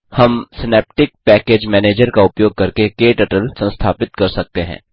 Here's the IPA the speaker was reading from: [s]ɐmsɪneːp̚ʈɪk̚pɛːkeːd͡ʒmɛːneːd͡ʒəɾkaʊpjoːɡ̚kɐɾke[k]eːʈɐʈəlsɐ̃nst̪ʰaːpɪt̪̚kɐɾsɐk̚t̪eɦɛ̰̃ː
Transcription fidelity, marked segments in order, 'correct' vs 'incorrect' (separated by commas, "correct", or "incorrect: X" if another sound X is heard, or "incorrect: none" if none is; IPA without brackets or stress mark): incorrect: h, correct